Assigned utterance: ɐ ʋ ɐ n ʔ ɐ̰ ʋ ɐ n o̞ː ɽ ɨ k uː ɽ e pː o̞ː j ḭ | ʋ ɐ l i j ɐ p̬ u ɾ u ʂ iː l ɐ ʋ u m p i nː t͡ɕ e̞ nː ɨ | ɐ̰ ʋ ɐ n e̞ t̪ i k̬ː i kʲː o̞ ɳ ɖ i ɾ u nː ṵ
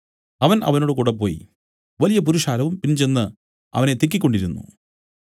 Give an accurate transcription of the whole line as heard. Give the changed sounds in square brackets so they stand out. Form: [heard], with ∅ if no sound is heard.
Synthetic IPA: ɐ ʋ ɐ n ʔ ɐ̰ ʋ ɐ n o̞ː ɽ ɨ k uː ɽ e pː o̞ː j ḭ | ʋ ɐ l i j ɐ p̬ u ɾ u ʂ [aː] l ɐ ʋ u m p i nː t͡ɕ e̞ nː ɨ | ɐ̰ ʋ ɐ n e̞ t̪ i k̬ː i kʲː o̞ ɳ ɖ i ɾ u nː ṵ